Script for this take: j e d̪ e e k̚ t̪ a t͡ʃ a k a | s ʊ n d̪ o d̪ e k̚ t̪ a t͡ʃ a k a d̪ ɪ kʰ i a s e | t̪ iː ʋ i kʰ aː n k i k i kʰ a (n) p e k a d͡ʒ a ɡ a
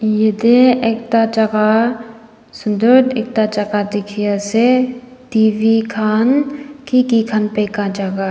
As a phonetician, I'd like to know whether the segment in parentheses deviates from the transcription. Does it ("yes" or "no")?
no